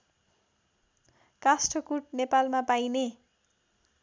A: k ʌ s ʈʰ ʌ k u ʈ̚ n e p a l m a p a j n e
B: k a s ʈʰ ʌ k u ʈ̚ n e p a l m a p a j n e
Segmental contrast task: B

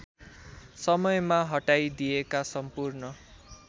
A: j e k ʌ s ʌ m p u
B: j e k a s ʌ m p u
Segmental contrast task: B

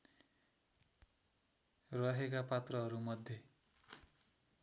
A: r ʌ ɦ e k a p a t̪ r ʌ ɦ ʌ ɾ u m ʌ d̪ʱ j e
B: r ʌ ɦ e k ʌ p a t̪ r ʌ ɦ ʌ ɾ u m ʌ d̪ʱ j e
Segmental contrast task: A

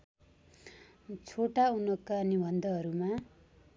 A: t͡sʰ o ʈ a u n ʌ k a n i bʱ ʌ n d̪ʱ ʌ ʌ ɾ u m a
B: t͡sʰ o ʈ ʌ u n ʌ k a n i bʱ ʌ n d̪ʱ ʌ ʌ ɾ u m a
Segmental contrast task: A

